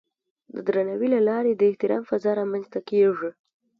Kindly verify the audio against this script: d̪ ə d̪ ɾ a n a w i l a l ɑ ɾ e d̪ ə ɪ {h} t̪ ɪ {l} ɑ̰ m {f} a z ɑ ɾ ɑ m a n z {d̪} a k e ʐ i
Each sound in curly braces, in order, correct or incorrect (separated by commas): correct, incorrect, correct, incorrect